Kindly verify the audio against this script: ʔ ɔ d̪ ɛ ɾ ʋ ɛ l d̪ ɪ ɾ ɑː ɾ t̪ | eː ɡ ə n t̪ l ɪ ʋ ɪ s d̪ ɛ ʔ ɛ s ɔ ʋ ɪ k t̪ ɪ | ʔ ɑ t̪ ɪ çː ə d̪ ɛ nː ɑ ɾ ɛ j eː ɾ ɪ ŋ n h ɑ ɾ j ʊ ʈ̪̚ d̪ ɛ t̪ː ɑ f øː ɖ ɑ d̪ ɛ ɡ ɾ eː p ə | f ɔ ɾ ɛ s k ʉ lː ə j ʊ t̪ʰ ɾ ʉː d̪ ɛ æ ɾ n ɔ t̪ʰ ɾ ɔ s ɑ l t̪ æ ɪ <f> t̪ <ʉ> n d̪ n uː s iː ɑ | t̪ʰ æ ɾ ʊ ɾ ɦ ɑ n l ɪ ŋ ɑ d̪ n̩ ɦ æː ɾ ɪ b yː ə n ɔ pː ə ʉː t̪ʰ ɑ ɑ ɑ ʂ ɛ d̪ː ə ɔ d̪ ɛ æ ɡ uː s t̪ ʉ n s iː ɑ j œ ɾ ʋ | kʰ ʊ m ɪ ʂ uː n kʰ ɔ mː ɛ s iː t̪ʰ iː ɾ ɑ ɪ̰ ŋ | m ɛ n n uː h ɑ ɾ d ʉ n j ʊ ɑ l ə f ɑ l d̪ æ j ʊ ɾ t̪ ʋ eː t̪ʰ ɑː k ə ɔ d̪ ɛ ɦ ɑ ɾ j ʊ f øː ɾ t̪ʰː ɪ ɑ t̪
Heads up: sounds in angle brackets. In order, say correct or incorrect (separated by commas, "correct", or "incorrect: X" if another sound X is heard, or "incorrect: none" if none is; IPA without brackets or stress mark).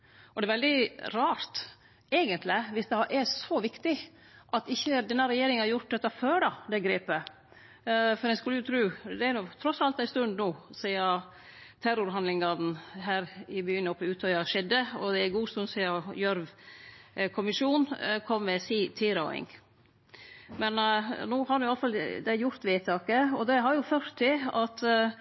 incorrect: s, correct